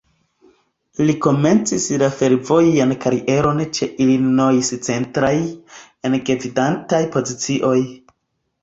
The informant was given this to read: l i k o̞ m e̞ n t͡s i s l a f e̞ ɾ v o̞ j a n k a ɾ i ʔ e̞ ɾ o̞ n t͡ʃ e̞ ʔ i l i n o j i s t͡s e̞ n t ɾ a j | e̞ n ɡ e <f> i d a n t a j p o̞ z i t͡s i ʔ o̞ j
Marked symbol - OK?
no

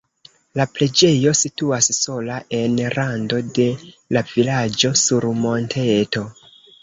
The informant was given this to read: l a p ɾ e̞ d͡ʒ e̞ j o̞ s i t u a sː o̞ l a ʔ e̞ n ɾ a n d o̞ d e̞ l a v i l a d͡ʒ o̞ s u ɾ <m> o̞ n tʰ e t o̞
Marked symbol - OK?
yes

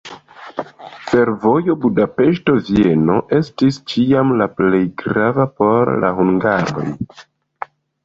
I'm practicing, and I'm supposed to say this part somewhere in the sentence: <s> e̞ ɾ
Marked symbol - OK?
no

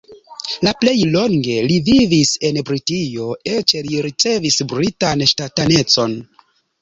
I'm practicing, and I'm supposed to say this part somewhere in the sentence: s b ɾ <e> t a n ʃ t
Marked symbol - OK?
no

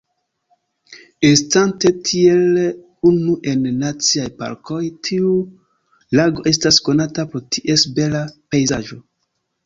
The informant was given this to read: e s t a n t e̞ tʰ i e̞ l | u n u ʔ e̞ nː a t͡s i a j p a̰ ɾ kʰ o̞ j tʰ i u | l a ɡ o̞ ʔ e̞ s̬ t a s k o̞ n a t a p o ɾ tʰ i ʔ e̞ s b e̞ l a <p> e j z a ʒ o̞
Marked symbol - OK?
yes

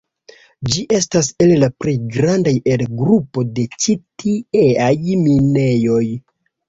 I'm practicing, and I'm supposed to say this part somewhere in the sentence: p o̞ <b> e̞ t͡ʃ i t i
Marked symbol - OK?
no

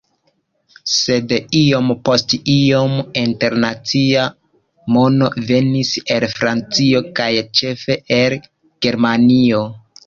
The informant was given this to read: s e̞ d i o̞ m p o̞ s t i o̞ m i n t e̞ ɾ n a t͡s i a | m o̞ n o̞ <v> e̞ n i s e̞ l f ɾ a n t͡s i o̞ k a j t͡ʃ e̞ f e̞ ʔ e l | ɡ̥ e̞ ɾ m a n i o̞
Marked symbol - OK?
yes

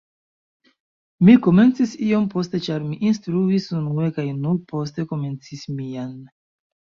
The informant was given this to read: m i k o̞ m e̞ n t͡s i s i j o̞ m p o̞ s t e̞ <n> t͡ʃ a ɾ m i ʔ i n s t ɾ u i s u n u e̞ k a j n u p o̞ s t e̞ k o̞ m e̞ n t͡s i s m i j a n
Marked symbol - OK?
no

